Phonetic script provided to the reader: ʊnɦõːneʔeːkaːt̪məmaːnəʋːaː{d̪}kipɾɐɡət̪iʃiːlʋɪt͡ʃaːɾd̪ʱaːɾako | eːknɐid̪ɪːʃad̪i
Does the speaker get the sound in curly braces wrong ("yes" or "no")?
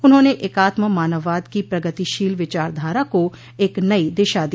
no